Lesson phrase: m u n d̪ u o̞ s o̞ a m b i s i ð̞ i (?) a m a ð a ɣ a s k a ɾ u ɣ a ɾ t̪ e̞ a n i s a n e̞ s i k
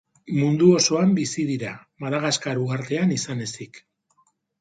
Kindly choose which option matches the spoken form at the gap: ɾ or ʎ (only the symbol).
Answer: ɾ